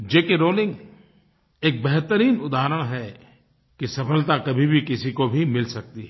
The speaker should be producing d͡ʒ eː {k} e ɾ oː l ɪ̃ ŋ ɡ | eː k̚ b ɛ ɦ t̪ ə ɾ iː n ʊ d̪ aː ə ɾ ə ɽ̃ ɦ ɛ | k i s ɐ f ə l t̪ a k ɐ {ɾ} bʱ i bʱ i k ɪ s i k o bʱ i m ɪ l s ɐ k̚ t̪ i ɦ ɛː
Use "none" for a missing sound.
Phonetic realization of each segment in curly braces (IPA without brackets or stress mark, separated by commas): k, none